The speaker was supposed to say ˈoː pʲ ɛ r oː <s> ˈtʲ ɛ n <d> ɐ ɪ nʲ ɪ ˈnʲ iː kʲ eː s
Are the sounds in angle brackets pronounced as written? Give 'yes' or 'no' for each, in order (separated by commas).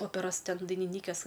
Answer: yes, yes